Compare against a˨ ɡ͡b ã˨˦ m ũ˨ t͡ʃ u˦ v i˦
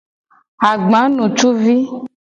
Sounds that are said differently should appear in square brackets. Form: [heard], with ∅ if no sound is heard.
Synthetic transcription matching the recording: a˨ ɡ͡b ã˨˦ [n] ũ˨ t͡ʃ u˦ v i˦

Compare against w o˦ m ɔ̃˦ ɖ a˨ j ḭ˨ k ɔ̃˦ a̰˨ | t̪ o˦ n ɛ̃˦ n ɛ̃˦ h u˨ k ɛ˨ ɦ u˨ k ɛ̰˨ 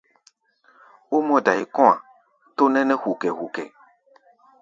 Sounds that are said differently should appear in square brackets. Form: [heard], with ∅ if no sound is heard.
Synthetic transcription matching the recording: w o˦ m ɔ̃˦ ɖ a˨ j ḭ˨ k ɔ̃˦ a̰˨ | t̪ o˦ n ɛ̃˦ n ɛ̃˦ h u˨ k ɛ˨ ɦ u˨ k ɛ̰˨

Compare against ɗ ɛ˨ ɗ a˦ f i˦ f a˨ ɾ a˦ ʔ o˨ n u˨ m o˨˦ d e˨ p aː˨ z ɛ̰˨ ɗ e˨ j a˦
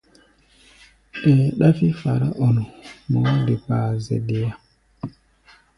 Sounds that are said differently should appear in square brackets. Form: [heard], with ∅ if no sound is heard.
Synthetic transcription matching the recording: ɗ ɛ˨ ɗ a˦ f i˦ f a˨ ɾ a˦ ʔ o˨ n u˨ m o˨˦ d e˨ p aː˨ z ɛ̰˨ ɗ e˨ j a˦

